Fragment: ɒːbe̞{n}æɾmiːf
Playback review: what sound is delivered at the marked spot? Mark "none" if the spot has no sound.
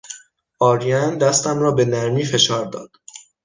n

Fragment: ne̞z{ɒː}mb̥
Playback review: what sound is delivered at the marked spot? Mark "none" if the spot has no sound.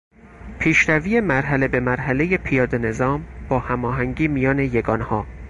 ɒː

